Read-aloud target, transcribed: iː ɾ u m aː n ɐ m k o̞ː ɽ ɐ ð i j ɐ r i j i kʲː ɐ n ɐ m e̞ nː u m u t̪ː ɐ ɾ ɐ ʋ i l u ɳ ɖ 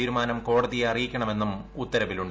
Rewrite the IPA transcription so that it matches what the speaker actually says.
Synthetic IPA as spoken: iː ɾ u m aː n ɐ m k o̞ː ɽ ɐ ð i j ɐ r i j i kʲː ɐ ɳ ɐ m e̞ nː u m u t̪ː ɐ ɾ ɐ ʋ i l u ɳ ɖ